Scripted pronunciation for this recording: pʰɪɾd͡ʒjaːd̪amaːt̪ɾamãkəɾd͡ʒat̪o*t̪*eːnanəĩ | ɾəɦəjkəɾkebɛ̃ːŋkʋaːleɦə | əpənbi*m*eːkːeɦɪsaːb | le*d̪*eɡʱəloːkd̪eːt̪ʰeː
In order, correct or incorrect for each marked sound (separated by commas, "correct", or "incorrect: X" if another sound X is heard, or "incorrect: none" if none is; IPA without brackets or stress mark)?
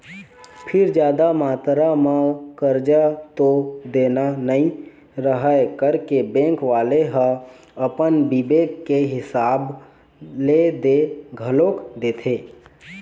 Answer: incorrect: d̪, incorrect: b, correct